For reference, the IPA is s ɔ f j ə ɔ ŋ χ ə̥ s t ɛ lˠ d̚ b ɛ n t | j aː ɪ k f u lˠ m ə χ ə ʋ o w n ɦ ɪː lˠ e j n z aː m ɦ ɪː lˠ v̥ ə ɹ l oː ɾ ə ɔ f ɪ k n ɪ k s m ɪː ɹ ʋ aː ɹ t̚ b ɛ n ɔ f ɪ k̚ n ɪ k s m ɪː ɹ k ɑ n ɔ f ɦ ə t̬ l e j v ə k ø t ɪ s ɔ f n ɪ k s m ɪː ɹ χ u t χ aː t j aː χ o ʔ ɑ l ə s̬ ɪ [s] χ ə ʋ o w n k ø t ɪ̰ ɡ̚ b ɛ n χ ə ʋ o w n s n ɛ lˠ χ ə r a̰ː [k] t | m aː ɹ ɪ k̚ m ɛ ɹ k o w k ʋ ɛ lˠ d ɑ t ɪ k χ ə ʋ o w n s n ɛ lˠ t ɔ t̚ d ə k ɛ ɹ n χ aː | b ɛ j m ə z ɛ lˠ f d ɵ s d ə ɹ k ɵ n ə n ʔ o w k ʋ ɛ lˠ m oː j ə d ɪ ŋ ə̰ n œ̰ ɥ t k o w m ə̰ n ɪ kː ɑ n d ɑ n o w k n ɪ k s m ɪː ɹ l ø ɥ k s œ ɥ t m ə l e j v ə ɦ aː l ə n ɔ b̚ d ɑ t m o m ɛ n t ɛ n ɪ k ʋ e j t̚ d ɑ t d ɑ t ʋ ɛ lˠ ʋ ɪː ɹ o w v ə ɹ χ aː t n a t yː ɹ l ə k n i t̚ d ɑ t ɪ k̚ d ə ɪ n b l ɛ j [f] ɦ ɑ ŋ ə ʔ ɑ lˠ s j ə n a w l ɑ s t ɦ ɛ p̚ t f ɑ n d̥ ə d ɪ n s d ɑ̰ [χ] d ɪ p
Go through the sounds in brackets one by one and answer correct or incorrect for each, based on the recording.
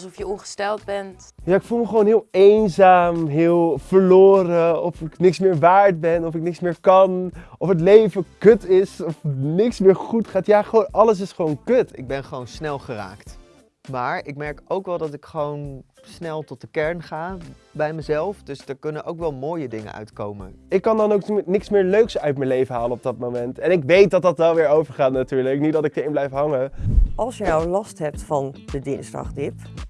correct, correct, correct, correct

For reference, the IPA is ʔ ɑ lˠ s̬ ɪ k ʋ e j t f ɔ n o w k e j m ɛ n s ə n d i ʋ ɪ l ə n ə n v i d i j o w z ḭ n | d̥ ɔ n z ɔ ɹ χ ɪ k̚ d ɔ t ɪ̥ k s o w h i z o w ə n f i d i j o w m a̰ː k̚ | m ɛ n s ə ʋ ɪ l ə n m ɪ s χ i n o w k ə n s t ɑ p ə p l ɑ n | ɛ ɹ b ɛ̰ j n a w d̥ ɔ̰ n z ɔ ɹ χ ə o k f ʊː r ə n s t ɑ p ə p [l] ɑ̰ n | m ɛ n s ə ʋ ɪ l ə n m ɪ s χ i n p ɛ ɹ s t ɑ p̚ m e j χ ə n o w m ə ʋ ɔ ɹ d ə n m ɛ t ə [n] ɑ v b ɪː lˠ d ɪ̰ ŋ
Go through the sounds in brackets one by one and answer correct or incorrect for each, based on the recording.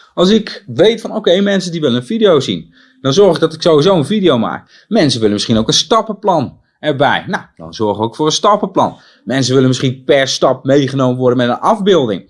correct, correct

